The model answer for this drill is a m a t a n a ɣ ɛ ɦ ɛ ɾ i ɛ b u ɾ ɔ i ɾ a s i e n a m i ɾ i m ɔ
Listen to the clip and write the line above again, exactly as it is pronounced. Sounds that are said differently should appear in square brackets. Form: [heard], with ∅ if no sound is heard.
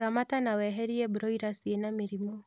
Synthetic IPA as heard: a m a t a n a [w] ɛ ɦ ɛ ɾ i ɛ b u ɾ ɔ i ɾ a s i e n a m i ɾ i m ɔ